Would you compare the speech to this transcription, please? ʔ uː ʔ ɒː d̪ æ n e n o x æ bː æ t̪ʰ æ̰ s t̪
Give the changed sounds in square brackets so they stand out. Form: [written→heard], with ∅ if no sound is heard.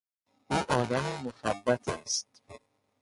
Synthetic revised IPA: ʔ uː ʔ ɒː d̪ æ [n→m] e [n→m] o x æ bː æ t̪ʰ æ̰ s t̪